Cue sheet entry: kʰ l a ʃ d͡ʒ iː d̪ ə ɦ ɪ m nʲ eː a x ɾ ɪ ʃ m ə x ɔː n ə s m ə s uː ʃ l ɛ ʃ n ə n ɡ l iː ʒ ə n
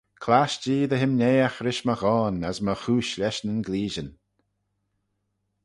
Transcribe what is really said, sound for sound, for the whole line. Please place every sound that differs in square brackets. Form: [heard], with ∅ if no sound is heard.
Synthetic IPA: kʰ l a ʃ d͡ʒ iː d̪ ə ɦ ɪ m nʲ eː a x ɾ ɪ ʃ m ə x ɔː n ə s m ə [x] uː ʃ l ɛ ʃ n ə n ɡ l iː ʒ ə n